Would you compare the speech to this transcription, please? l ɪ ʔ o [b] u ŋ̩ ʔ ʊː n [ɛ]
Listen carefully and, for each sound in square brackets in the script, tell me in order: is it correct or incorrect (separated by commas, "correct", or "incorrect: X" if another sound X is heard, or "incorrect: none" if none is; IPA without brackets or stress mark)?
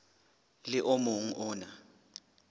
incorrect: m, incorrect: a